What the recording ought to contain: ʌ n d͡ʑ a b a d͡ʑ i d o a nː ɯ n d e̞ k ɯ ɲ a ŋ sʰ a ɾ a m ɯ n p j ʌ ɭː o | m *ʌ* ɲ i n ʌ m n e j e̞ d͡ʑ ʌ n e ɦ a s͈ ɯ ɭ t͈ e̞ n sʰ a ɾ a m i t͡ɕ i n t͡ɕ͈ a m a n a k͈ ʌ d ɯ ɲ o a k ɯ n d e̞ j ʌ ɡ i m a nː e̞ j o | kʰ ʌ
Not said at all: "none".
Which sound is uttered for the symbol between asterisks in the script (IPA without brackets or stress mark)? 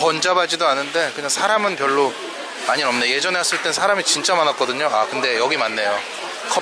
a